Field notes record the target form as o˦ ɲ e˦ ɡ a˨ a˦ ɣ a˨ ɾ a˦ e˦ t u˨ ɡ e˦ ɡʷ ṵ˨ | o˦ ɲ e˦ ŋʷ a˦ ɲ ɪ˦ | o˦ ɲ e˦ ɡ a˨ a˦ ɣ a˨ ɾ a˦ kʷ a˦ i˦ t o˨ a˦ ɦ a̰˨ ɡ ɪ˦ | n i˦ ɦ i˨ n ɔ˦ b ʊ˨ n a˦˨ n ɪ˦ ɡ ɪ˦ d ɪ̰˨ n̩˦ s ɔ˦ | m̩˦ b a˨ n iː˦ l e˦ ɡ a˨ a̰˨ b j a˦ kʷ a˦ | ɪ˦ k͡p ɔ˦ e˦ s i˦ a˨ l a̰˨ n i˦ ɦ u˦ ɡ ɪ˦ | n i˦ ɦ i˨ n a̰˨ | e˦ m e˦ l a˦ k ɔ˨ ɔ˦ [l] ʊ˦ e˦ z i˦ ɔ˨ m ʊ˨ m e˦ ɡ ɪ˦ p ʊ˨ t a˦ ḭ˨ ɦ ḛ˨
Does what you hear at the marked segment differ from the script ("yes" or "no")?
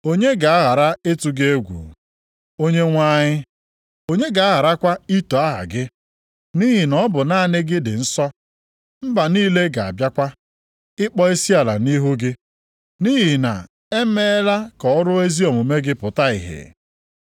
yes